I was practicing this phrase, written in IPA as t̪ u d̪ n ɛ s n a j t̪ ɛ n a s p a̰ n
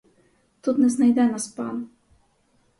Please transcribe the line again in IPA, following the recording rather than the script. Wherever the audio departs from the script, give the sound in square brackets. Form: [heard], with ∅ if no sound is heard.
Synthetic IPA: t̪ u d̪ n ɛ [z] n a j [d̪] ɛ n a s p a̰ n